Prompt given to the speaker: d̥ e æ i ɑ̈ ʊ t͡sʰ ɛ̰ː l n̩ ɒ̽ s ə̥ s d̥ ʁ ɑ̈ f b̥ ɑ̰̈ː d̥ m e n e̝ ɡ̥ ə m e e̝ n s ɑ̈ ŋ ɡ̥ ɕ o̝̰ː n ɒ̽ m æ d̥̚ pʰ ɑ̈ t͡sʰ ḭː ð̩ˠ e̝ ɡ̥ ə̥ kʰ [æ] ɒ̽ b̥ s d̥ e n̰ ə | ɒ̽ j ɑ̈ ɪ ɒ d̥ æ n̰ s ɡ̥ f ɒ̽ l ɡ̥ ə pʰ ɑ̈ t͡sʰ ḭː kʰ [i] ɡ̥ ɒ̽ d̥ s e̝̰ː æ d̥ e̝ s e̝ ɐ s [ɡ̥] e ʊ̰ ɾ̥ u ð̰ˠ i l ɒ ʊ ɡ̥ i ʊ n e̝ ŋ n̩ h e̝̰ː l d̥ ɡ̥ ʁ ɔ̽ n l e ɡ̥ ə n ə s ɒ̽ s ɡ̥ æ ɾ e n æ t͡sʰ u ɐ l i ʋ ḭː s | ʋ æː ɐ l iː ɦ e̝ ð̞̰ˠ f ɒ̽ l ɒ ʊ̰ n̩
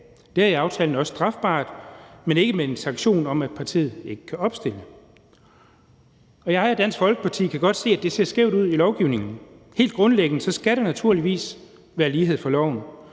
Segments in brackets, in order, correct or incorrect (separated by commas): correct, incorrect, correct